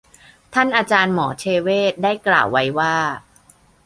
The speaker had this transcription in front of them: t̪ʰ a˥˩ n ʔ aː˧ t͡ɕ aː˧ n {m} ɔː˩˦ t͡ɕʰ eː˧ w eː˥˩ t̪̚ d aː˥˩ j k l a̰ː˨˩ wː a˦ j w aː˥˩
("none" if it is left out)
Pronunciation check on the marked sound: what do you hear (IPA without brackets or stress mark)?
m